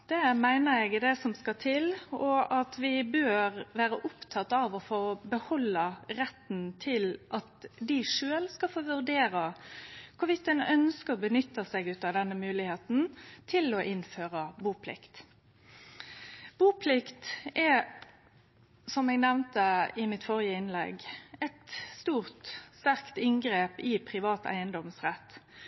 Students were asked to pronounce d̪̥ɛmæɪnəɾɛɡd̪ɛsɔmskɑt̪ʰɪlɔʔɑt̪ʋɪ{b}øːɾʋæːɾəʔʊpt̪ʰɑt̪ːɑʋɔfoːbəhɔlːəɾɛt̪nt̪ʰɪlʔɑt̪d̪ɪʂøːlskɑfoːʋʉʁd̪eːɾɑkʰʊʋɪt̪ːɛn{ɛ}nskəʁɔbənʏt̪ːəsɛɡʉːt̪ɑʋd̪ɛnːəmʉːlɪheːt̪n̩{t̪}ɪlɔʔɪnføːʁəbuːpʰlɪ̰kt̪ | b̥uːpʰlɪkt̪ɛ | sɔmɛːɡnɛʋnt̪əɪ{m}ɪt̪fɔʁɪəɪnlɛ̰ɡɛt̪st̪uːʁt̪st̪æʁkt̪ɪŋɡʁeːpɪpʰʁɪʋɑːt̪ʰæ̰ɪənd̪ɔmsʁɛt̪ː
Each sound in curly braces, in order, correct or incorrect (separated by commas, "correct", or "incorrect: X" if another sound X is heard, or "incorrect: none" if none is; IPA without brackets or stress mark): correct, incorrect: œ, incorrect: t̪ʰ, correct